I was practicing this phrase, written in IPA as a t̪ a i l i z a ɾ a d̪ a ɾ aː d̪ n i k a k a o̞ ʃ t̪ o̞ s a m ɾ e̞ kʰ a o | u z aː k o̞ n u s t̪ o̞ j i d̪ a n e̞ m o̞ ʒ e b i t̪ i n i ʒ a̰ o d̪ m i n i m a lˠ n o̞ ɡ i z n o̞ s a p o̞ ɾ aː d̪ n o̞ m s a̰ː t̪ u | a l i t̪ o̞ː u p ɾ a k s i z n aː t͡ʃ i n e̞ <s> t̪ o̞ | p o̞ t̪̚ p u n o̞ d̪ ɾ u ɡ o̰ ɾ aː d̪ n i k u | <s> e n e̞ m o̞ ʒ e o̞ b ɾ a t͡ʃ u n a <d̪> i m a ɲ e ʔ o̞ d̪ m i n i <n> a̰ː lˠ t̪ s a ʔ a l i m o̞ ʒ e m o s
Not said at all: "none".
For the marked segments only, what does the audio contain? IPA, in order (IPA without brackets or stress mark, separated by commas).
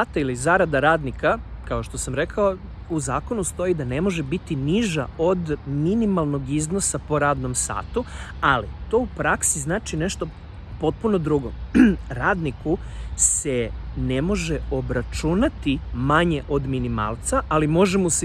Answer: ʃ, s, t̪, m